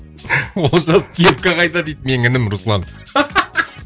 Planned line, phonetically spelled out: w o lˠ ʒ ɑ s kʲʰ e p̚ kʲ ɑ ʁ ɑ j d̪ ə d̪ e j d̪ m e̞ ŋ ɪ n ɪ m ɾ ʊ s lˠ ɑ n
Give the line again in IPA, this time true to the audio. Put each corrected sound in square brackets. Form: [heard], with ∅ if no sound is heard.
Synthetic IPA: w o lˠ ʒ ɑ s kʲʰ e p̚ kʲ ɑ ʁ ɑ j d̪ [ɑ] d̪ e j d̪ m e̞ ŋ ɪ n ɪ m ɾ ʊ s lˠ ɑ n

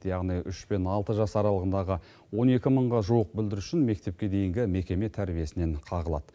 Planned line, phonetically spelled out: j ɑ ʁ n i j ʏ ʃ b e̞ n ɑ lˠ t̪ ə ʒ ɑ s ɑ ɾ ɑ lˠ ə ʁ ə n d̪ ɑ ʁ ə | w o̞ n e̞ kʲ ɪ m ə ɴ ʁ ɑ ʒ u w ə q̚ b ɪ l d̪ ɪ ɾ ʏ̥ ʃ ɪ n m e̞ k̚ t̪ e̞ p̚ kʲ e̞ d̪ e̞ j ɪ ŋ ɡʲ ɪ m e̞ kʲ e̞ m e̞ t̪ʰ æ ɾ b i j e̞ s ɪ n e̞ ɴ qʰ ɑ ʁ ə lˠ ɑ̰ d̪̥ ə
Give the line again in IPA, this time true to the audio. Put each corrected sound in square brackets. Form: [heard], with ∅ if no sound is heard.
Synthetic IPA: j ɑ ʁ n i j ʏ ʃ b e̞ n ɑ lˠ t̪ ə ʒ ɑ s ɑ ɾ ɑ lˠ ə ʁ ə n d̪ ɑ ʁ ə | w o̞ n e̞ kʲ ɪ m ə ɴ ʁ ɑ ʒ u w ə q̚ b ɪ l d̪ ɪ ɾ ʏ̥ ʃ ɪ n m e̞ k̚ t̪ e̞ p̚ kʲ e̞ d̪ e̞ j ɪ ŋ ɡʲ ɪ m e̞ kʲ e̞ m e̞ t̪ʰ æ ɾ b i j e̞ s ɪ n e̞ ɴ qʰ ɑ ʁ ə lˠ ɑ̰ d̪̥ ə

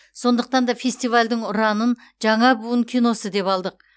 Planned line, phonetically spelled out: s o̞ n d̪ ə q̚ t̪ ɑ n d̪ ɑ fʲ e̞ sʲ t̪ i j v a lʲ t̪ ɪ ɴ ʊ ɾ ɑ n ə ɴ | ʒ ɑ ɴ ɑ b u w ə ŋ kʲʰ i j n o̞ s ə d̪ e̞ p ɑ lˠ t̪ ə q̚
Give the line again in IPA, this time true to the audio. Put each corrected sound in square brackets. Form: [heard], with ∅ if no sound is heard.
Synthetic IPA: s o̞ n d̪ ə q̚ t̪ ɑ n d̪ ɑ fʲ e̞ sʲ t̪ i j v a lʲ [d̪] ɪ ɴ ʊ ɾ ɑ n ə [n] | ʒ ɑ ɴ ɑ b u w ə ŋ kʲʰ i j n o̞ s ə d̪ e̞ p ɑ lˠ [d̪] ə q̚

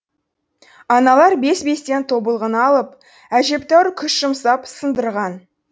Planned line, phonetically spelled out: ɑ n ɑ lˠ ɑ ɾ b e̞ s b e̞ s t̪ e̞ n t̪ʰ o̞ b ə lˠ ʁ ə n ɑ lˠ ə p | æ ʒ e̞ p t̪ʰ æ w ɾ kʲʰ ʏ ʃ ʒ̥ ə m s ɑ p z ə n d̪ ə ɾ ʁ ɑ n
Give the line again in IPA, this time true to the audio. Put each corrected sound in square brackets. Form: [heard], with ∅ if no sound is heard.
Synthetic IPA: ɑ n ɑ lˠ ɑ ɾ b e̞ s b e̞ s t̪ e̞ n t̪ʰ o̞ b ə lˠ ʁ ə n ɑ lˠ ə p | æ ʒ e̞ p [t̪] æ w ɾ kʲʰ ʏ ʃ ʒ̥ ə m s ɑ p [s] ə n d̪ ə ɾ ʁ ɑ n

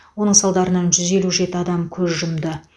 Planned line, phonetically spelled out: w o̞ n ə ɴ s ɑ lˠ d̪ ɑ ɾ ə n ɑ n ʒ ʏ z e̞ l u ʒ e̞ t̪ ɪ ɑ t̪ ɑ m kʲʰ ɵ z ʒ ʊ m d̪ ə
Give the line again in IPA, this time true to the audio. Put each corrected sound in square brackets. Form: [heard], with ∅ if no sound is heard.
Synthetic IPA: w o̞ n ə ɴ s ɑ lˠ d̪ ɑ ɾ ə n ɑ n ʒ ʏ z e̞ l u ʒ e̞ t̪ ɪ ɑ [d̪] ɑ m kʲʰ ɵ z ʒ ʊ m d̪ ə

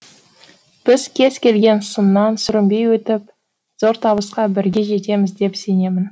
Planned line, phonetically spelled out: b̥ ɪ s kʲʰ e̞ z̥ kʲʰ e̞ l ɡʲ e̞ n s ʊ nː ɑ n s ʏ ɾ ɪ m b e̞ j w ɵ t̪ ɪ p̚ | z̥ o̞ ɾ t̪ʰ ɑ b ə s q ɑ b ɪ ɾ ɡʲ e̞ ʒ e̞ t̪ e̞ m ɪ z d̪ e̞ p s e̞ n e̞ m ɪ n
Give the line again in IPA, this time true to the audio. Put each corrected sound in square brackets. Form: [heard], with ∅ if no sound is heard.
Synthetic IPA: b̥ ɪ [z] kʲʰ e̞ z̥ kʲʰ e̞ l ɡʲ e̞ n s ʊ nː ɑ n s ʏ ɾ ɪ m b e̞ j w ɵ t̪ ɪ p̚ | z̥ o̞ ɾ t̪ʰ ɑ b ə s q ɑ b ɪ ɾ ɡʲ e̞ ʒ e̞ t̪ e̞ m ɪ z d̪ e̞ p s e̞ n e̞ m ɪ n

